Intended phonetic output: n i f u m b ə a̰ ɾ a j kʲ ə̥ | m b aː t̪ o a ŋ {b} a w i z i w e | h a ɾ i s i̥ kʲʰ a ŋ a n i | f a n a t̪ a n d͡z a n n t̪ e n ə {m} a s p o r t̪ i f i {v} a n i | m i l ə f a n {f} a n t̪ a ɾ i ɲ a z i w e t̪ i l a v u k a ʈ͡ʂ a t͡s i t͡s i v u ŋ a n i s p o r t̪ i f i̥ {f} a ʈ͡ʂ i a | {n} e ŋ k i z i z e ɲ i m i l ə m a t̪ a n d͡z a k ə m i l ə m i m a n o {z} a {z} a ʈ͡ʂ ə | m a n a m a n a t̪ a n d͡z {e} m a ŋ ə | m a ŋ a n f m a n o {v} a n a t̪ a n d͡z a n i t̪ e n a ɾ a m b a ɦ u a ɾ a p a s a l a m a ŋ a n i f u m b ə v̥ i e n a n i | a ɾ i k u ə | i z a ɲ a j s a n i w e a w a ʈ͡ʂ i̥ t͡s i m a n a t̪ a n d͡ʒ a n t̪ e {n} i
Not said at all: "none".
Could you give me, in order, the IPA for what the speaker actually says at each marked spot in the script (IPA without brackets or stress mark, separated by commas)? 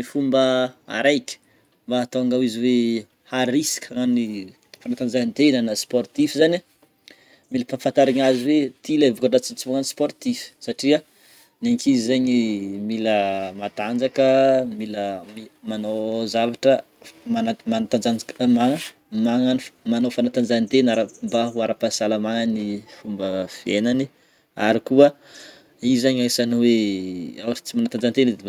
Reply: ɡ, n, z, f, s, n, z, v, a, f, n